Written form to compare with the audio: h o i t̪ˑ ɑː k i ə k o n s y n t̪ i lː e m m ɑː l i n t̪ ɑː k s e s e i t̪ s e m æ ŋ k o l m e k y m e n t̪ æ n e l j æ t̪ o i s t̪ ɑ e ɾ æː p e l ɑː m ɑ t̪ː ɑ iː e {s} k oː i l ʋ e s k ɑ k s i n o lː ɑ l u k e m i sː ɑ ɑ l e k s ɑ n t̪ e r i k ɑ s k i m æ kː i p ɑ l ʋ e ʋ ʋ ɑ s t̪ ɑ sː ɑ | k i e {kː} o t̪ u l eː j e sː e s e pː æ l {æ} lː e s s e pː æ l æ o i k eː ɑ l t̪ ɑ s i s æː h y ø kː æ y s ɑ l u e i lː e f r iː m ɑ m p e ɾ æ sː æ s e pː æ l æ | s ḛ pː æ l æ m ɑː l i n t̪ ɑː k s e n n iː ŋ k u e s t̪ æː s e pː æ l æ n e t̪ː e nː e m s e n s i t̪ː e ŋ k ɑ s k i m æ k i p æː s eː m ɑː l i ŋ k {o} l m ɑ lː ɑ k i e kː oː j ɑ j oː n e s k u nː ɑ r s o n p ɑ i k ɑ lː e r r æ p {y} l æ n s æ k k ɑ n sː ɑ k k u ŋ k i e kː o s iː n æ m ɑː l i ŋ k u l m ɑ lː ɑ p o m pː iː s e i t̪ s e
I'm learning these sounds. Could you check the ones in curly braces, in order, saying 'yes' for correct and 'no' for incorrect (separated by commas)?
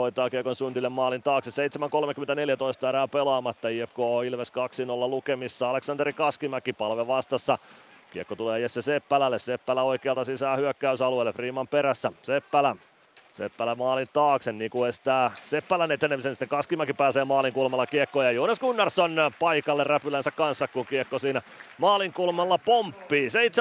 no, yes, yes, no, yes